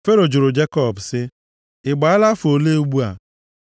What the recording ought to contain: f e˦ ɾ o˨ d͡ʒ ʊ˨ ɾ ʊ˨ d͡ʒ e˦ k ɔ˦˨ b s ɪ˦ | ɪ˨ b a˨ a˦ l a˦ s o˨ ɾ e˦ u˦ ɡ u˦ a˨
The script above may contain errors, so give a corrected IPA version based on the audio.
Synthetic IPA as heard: f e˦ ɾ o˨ d͡ʒ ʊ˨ ɾ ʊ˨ d͡ʒ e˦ k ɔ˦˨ b s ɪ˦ | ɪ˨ ɡ͡b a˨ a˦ l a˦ f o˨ l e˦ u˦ ɡ͡b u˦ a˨